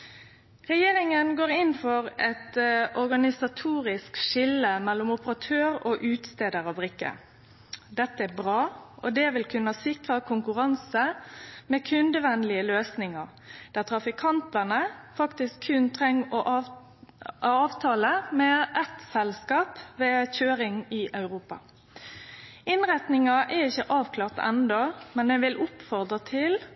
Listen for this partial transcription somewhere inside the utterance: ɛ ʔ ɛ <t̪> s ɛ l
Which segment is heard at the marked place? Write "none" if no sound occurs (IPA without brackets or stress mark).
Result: t̪